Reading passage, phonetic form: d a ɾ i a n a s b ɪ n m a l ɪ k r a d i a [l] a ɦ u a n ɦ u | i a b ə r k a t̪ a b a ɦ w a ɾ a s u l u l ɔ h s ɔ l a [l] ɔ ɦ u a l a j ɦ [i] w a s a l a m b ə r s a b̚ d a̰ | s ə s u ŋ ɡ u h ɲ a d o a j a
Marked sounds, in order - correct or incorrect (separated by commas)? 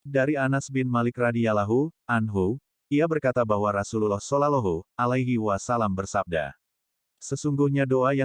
correct, correct, correct